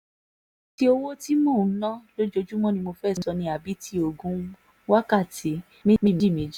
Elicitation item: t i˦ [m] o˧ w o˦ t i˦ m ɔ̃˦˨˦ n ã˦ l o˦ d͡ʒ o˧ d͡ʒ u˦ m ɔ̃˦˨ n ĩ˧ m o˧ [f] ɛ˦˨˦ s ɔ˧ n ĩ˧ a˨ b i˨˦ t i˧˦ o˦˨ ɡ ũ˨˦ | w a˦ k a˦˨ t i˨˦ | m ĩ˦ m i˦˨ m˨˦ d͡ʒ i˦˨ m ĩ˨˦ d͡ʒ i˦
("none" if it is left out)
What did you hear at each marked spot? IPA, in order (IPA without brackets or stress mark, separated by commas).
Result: none, f